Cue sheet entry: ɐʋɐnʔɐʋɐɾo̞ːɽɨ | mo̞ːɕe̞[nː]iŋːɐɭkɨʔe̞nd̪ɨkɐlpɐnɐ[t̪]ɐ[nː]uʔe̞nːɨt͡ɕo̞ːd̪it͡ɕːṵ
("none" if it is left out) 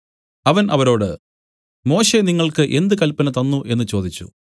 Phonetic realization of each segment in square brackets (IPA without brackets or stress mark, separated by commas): n, t̪, nː